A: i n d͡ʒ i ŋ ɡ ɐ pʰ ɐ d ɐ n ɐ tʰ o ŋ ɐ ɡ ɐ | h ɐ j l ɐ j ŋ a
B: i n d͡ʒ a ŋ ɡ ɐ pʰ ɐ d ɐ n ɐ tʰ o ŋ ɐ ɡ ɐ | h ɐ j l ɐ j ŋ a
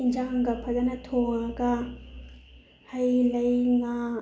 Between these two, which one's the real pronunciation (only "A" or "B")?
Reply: B